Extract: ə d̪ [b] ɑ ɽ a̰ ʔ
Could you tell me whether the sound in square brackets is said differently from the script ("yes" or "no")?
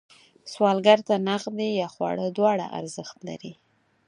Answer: yes